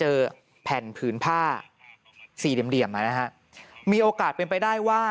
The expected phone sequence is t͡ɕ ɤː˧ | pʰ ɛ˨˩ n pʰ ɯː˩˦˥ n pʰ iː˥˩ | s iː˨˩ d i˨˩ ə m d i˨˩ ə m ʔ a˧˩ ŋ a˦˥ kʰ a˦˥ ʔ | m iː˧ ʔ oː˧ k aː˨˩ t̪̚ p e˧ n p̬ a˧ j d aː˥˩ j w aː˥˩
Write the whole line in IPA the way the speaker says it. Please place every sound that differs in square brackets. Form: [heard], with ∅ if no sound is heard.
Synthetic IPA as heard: t͡ɕ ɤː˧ | pʰ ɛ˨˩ n pʰ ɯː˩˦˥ n pʰ [aː˥˩] | s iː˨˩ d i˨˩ ə m d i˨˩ ə m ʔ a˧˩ [n] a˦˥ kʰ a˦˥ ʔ | m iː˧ ʔ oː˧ k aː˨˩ t̪̚ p e˧ n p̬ a˧ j d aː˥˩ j w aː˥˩